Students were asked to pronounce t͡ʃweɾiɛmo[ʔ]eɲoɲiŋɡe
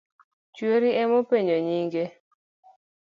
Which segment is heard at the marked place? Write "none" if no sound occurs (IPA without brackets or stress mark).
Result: p